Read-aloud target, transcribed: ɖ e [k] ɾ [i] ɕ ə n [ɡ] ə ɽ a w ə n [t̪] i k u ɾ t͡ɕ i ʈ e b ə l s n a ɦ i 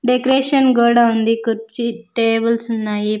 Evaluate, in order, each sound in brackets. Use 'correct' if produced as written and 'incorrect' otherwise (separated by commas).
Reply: correct, incorrect, correct, incorrect